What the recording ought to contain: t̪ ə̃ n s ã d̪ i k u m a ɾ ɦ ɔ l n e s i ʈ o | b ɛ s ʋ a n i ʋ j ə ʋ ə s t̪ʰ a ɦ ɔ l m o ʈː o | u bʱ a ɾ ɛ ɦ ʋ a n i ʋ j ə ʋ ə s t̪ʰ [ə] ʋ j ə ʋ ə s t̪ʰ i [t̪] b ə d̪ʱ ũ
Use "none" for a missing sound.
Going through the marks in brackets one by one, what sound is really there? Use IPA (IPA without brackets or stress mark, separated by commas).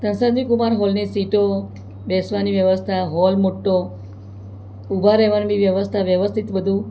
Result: a, t̪